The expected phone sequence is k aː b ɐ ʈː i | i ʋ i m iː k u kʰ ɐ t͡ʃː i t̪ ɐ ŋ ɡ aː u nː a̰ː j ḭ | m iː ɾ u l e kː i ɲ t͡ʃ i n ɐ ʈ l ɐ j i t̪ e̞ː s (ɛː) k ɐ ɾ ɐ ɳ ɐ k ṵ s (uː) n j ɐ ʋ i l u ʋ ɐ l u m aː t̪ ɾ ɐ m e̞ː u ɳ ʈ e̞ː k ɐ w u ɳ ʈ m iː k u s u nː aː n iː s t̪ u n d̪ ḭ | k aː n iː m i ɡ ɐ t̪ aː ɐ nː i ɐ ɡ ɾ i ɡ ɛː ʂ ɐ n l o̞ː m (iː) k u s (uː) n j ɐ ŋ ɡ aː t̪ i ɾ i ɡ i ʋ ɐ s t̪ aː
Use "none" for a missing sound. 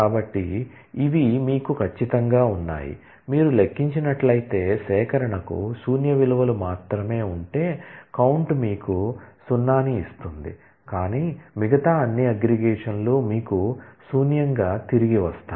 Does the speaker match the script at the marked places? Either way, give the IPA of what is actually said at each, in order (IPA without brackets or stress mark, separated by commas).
ɛː, uː, iː, uː